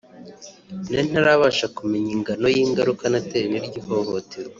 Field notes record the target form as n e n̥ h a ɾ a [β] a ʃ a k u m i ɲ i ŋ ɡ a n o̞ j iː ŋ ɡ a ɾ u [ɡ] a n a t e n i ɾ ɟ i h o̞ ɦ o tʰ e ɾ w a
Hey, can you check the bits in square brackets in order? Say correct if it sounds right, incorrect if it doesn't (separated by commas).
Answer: correct, incorrect